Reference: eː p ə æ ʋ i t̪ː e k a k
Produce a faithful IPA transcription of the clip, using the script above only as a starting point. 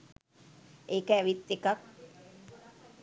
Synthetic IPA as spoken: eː k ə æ ʋ i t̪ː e k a k